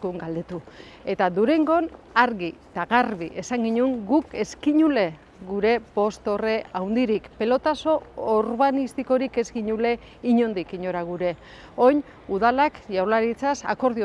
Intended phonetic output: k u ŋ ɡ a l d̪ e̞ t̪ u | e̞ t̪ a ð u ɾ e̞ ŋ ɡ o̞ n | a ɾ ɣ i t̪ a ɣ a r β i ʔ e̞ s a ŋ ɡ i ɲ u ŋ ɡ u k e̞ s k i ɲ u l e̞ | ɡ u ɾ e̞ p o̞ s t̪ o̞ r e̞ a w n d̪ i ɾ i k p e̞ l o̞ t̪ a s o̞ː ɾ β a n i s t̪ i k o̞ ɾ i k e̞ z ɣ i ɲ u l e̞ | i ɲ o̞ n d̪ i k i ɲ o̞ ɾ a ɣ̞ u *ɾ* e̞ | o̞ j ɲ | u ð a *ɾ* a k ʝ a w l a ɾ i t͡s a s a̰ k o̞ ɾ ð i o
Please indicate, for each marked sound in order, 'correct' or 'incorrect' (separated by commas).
correct, incorrect